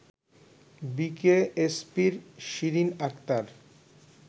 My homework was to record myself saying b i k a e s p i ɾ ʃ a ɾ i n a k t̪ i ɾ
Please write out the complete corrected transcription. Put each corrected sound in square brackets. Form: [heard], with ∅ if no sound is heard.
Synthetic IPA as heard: b i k [e] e s p i ɾ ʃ [i] ɾ i n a k t̪ [a] ɾ